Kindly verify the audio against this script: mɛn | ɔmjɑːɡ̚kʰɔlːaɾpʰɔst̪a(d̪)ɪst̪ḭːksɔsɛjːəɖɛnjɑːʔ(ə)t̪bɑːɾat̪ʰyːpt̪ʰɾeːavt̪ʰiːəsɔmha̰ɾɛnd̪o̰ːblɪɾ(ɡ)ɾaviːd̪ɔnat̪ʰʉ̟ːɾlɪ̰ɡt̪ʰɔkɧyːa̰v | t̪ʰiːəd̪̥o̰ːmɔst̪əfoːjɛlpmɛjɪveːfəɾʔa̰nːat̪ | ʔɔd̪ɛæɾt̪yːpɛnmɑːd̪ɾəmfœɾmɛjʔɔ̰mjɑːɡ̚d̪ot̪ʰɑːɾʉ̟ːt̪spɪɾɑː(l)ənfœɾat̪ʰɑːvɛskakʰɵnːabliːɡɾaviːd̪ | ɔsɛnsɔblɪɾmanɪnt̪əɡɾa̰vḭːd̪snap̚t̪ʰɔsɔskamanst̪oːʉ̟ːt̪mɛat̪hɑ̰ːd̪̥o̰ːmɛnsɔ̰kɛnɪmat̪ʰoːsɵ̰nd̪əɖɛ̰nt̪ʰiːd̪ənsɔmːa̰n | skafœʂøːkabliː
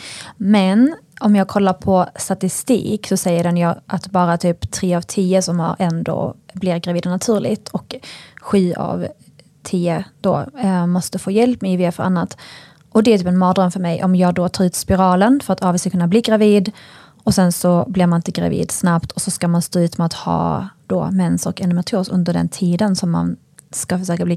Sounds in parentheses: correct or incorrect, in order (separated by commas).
incorrect, incorrect, correct, correct